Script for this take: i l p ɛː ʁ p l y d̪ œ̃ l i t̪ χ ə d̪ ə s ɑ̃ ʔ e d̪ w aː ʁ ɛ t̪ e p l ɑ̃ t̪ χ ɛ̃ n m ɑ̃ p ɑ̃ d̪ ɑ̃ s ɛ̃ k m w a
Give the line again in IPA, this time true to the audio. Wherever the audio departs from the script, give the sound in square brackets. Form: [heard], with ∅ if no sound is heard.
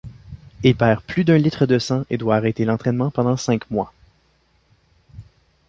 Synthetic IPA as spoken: i l p ɛː ʁ p l y d̪ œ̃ l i t̪ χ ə d̪ ə s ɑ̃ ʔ e d̪ w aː ʁ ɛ t̪ e [∅] l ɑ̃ t̪ χ [ɛ] n m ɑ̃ p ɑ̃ d̪ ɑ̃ s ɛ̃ k m w a